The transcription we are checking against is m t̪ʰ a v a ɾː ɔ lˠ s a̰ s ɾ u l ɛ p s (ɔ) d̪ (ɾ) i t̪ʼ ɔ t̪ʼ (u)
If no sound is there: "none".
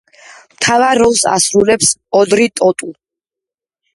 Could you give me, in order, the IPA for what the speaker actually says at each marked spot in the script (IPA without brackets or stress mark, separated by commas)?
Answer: ɔ, ɾ, u